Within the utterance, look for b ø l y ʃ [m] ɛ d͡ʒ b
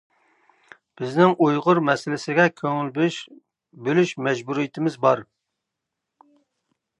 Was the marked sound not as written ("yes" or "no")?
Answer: no